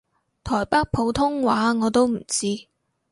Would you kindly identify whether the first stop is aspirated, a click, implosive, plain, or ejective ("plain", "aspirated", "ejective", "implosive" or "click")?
aspirated